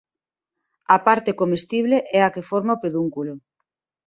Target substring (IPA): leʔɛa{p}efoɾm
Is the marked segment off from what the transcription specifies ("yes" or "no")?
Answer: yes